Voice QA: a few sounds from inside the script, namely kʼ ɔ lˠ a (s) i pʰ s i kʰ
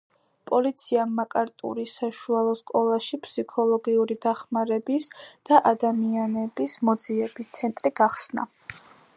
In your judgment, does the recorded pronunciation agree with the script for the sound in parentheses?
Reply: no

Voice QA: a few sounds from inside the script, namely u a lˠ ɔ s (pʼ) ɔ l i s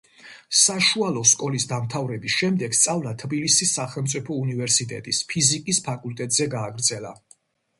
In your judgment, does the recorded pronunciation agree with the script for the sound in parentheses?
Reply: no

